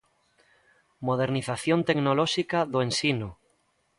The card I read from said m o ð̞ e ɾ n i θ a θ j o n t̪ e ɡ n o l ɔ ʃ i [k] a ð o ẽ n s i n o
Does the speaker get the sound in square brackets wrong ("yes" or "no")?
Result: no